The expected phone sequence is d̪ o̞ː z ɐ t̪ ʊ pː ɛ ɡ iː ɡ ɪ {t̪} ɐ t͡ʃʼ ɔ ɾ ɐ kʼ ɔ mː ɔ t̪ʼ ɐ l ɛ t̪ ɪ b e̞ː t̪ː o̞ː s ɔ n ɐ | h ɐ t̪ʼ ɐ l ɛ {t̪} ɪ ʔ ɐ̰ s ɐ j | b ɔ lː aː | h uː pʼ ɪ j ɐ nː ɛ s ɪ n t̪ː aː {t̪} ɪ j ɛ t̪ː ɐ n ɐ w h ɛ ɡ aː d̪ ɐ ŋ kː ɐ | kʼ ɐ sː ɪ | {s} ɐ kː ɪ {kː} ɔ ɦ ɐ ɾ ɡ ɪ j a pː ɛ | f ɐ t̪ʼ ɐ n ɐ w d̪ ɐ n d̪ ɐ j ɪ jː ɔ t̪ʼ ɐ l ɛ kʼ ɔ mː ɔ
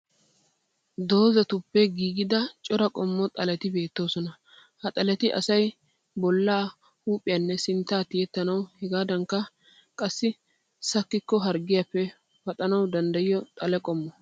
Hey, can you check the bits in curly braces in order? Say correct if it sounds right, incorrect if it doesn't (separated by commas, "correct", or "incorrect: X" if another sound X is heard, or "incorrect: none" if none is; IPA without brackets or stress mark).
incorrect: d̪, correct, correct, correct, correct